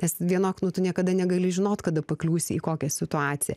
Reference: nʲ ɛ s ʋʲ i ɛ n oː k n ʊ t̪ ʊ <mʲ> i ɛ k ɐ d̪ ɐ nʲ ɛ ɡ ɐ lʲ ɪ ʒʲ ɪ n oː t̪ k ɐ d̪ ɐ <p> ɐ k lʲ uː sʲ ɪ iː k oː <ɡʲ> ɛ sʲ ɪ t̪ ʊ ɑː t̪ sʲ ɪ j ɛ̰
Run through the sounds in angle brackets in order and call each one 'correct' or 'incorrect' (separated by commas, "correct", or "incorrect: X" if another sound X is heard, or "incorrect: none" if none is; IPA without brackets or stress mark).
incorrect: nʲ, correct, incorrect: kʲ